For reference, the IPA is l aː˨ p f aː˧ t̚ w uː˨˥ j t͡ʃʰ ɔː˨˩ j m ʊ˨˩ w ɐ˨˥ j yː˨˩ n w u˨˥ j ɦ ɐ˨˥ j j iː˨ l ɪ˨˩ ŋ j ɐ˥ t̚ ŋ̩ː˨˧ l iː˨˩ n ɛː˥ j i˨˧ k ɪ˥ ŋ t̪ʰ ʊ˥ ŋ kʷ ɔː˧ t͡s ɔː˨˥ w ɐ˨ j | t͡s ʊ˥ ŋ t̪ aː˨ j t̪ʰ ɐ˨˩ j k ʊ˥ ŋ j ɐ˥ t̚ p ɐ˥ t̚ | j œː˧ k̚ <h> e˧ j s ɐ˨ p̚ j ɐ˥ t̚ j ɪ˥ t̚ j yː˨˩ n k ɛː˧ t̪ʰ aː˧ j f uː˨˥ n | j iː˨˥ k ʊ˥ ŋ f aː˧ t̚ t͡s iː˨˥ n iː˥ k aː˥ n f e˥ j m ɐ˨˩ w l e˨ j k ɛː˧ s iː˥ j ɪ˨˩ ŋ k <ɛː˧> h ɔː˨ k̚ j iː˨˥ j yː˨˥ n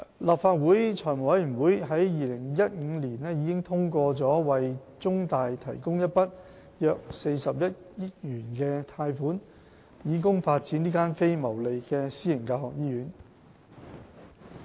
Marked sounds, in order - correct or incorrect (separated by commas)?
incorrect, incorrect